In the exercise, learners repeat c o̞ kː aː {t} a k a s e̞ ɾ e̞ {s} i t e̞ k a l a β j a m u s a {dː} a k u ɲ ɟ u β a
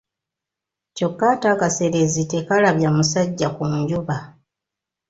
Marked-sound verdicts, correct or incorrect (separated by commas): correct, incorrect, incorrect